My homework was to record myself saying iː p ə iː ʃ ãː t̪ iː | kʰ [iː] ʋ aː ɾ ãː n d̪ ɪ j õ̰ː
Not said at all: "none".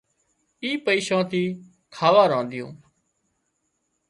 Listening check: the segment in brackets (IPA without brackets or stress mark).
aː